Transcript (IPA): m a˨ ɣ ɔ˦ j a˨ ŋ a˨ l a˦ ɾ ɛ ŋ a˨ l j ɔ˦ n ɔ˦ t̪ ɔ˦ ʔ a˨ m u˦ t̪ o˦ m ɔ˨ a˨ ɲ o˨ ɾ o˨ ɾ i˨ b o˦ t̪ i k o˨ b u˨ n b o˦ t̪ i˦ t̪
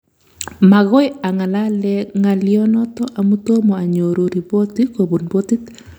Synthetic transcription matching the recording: m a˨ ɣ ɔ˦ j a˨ ŋ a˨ l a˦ l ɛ ŋ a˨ l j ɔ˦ n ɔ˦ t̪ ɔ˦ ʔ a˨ m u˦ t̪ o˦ m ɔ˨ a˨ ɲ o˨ ɾ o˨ ɾ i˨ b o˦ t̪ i k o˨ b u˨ n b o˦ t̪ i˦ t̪